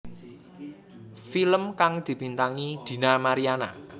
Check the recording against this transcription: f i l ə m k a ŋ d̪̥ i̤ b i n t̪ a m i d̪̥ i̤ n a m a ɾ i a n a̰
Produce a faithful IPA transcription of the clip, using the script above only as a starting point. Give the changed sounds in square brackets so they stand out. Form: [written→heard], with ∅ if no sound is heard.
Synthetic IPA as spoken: f i l ə m k a ŋ d̪̥ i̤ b i n t̪ a [m→ŋ] i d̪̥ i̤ n a m a ɾ i a n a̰